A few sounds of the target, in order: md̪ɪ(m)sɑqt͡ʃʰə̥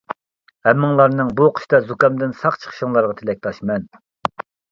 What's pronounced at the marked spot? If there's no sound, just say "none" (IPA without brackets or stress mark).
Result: n